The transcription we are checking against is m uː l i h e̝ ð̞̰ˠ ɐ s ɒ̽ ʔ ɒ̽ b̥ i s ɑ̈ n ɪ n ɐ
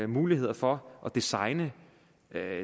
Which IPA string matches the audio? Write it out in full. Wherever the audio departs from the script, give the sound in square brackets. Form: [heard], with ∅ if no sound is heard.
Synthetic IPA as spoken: m uː l i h e̝ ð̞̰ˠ ɐ [f] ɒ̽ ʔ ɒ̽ [d̥] i s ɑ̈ [∅] ɪ n [ə]